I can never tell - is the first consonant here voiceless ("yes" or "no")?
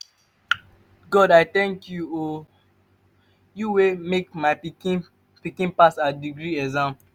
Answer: no